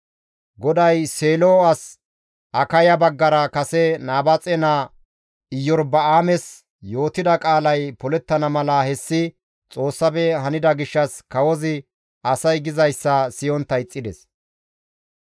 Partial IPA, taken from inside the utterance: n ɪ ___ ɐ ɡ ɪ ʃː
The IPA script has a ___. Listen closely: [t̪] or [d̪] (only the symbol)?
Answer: d̪